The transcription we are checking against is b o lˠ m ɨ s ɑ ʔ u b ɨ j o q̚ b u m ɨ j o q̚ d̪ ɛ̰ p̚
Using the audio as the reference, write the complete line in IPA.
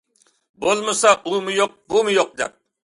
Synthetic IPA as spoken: b o lˠ m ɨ s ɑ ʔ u m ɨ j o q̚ b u m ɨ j o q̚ d̪ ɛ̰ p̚